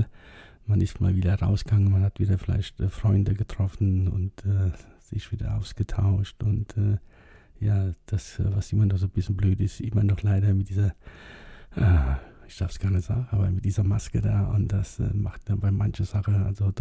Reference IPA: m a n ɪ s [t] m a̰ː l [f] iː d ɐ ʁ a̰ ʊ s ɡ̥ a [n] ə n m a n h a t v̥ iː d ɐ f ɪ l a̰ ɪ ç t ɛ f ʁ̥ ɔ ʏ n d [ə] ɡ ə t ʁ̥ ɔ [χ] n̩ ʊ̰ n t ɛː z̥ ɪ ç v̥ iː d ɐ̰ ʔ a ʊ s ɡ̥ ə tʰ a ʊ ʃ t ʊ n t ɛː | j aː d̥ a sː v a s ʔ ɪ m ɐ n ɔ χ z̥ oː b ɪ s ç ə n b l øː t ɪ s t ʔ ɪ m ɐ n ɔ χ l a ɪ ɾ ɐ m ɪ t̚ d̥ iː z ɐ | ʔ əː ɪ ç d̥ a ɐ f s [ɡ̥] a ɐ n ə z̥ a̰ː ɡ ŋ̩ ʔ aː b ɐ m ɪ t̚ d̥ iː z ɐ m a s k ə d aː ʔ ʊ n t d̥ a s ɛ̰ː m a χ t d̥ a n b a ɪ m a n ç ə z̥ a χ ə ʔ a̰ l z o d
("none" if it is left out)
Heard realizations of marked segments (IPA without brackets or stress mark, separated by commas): t, v, ŋ, ə, f, ɡ̥